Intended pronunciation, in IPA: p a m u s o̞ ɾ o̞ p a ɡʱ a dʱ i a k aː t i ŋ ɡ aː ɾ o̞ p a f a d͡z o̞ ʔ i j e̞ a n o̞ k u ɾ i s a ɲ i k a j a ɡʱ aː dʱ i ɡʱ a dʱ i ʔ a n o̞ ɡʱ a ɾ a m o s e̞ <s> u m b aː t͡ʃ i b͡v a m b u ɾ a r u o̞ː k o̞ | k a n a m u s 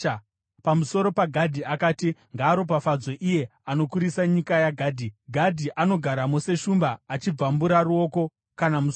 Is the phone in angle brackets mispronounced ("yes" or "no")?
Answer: yes